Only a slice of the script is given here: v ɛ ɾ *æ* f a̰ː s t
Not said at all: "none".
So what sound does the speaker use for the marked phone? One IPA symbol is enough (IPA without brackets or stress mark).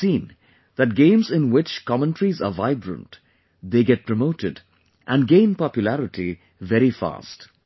i